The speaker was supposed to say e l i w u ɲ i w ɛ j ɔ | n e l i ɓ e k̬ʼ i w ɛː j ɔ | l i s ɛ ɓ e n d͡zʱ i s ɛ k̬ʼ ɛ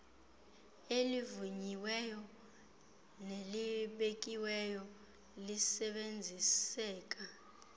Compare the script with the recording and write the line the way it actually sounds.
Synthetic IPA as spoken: e l i v u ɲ i w ɛ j ɔ | n e l i ɓ e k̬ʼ i w ɛ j ɔ | l i s ɛ ɓ e n d͡zʱ i s ɛː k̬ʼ a